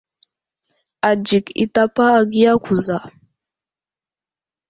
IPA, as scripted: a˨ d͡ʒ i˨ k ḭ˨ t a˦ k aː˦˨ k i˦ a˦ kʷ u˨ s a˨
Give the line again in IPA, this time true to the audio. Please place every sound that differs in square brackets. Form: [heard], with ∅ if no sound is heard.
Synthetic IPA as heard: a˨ d͡ʒ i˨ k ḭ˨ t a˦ [p] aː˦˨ [ɡ] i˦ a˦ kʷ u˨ [z] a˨